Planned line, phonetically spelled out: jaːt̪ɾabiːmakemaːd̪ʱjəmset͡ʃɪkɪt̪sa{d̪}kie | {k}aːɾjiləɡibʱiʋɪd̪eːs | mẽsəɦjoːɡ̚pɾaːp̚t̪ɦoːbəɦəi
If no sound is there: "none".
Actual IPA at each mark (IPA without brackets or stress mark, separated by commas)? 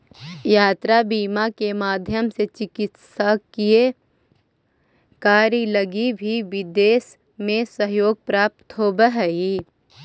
none, k